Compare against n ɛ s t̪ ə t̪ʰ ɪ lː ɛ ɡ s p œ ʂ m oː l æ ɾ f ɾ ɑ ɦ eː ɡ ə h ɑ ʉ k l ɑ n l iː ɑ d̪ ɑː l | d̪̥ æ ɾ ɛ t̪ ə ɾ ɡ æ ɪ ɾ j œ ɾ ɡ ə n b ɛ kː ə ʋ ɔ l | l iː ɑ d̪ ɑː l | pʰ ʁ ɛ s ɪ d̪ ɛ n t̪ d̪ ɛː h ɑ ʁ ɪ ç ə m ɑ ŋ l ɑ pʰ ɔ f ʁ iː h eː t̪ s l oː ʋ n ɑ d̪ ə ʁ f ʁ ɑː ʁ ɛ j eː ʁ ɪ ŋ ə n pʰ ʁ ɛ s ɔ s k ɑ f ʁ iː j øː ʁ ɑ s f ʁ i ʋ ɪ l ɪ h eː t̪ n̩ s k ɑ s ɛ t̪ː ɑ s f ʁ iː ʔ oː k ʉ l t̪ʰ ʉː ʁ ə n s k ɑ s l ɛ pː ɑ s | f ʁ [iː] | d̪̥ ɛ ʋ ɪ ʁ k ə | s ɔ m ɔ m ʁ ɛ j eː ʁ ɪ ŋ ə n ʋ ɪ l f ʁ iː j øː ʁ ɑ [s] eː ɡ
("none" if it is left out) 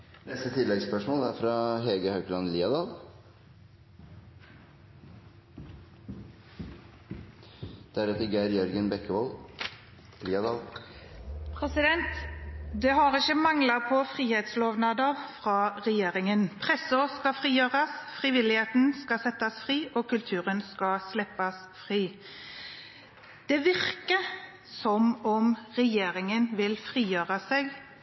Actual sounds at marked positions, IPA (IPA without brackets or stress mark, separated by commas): iː, s